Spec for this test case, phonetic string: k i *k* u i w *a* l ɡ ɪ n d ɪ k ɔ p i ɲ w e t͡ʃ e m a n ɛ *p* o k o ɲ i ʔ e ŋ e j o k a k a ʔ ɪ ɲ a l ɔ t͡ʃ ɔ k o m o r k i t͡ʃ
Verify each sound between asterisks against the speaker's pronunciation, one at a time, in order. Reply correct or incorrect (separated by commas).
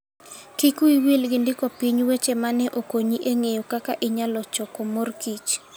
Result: correct, incorrect, incorrect